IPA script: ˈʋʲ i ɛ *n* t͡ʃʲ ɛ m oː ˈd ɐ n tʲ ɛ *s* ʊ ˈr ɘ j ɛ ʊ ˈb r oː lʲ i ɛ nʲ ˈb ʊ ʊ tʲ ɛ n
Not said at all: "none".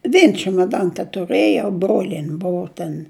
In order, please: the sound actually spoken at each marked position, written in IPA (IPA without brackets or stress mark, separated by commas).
n, t